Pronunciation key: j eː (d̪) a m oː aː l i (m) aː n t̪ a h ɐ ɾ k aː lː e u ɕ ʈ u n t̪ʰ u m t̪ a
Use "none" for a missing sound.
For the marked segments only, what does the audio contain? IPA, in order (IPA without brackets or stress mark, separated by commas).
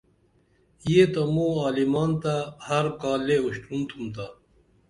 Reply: t̪, m